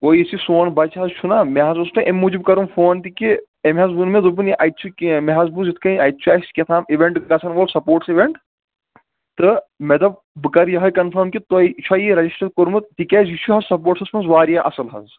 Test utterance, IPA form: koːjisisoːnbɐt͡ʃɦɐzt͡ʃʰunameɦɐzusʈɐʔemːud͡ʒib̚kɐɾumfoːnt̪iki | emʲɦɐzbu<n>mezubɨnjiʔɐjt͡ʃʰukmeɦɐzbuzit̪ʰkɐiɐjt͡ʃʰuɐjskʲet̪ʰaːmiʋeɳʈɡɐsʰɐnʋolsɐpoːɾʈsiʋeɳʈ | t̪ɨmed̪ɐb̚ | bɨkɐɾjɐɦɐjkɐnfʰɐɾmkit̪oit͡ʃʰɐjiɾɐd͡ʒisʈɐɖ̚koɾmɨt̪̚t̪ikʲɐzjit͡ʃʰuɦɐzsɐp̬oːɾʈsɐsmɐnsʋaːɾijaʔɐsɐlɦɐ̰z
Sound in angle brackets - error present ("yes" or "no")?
no